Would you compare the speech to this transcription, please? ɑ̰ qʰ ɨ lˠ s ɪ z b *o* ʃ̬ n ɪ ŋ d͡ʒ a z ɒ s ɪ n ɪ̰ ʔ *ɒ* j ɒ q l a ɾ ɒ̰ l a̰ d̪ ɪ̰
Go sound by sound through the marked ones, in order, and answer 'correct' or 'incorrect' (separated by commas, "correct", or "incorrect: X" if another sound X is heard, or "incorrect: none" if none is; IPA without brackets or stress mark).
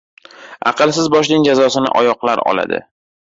incorrect: ɒ, correct